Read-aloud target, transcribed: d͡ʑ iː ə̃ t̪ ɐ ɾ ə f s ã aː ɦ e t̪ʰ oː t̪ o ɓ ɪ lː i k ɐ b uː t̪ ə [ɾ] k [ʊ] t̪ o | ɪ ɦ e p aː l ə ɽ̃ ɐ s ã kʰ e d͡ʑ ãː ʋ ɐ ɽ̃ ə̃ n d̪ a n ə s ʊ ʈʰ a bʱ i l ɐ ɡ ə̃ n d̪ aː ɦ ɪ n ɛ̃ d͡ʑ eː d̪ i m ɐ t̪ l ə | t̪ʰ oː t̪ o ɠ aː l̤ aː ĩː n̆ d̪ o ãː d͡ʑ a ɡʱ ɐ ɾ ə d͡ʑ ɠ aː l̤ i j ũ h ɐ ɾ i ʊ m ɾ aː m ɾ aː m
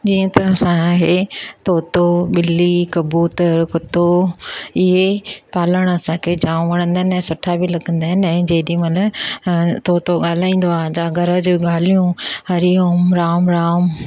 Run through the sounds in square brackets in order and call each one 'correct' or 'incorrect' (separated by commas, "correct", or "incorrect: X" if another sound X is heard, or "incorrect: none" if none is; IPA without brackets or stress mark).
correct, correct